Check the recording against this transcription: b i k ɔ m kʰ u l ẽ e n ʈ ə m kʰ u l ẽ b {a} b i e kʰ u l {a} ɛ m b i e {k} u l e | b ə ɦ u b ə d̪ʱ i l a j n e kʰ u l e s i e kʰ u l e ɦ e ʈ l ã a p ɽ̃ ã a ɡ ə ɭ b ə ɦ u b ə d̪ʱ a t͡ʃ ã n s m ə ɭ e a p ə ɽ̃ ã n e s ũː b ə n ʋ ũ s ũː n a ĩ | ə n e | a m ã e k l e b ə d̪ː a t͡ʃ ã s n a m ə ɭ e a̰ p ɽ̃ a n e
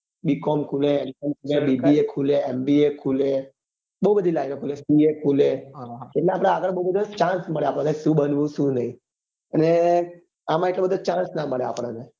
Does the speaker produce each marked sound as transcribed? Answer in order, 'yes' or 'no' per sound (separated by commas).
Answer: no, no, no